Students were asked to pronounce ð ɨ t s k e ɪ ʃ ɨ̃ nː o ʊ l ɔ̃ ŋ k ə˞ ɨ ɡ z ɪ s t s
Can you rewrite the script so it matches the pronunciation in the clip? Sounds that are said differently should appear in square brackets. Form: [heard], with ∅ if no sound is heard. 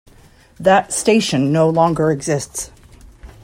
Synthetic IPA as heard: ð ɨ t s [t] e ɪ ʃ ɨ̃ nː o ʊ l ɔ̃ ŋ [ɡ] ə˞ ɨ ɡ z ɪ s t s